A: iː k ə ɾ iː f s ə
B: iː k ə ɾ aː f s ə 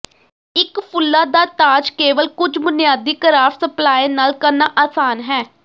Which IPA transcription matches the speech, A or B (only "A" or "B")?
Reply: B